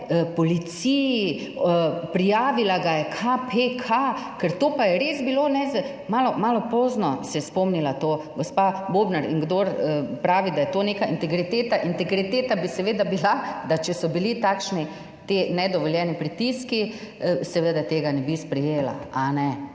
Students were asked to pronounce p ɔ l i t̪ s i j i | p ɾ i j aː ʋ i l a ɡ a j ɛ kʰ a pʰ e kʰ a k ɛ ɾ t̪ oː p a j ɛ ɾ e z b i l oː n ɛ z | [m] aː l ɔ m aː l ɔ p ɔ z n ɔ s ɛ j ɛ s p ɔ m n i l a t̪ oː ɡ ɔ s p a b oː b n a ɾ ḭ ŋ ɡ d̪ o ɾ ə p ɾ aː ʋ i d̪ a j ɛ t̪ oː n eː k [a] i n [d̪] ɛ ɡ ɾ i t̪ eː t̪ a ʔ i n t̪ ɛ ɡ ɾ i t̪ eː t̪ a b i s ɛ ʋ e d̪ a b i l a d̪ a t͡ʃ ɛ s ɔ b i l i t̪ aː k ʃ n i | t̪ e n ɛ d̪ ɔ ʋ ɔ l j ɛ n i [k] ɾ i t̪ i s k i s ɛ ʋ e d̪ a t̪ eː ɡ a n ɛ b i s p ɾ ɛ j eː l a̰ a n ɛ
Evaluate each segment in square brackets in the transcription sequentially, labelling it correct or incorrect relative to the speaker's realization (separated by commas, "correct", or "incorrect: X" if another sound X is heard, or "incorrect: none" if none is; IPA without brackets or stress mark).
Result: correct, correct, incorrect: t̪, incorrect: p